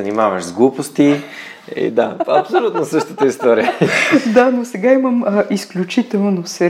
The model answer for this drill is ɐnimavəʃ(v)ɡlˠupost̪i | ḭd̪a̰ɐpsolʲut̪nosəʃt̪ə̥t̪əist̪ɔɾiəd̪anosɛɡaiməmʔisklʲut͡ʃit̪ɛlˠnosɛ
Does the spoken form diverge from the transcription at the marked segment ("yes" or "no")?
yes